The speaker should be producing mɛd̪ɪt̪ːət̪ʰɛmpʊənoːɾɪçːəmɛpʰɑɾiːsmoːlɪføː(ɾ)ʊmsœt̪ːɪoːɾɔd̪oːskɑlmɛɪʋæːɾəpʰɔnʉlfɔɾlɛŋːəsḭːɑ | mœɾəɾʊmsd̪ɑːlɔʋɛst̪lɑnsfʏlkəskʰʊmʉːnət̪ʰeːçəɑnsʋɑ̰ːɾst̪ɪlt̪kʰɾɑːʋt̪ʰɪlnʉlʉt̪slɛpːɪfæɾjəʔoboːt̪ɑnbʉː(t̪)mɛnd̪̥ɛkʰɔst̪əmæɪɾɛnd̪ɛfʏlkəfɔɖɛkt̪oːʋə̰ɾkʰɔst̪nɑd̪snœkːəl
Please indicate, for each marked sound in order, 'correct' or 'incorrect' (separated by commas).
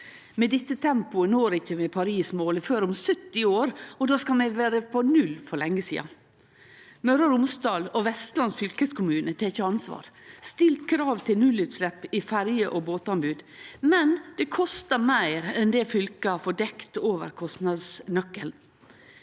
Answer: correct, incorrect